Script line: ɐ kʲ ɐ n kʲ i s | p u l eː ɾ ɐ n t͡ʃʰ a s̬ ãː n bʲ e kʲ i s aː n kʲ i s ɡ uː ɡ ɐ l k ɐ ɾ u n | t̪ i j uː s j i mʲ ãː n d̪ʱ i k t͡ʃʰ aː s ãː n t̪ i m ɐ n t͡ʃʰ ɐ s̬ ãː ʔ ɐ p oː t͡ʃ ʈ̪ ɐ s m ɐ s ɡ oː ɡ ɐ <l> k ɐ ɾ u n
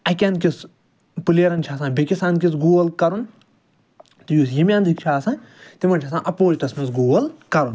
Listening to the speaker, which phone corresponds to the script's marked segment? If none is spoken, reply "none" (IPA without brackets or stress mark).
l